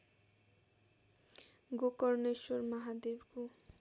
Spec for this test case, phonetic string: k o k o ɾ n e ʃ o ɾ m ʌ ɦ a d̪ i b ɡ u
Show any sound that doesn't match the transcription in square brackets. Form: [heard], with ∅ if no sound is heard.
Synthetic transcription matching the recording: [ɡ] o k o ɾ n e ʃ o ɾ m [a] ɦ a d̪ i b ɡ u